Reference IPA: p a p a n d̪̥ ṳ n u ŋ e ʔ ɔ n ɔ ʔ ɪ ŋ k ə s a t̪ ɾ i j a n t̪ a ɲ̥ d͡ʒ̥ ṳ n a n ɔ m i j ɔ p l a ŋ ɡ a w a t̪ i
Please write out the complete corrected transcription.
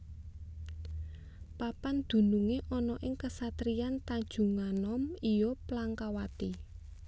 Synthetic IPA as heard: p a p a n d̪̥ ṳ n u ŋ e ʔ ɔ n ɔ ʔ ɪ ŋ k ə s a t̪ ɾ i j a n t̪ a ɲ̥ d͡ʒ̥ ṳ ŋ a n ɔ m i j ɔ p l a ŋ k a w a t̪ i